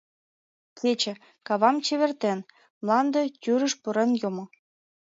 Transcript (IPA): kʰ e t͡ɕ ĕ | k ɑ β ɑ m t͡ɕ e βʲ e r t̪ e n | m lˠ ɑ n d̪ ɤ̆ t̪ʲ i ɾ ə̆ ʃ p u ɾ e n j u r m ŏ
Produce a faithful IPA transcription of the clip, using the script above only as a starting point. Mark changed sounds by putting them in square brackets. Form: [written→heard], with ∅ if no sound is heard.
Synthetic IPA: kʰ e t͡ɕ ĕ | k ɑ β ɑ m t͡ɕ e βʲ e r t̪ e n | m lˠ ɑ n d̪ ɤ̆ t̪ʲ [i→y] ɾ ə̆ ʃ p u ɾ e n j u [r→∅] m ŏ